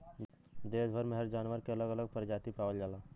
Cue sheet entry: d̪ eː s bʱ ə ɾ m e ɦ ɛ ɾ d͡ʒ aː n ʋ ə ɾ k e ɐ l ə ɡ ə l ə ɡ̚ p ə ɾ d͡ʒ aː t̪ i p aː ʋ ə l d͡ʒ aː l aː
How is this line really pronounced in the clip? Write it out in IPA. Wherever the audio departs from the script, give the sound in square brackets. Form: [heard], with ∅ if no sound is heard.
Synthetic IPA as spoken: d̪ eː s bʱ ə ɾ m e ɦ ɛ ɾ d͡ʒ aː n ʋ ə ɾ k e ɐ l ə ɡ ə l ə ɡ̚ p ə ɾ d͡ʒ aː t̪ i p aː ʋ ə l d͡ʒ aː l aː